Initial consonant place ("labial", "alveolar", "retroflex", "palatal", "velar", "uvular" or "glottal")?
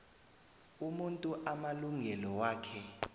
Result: labial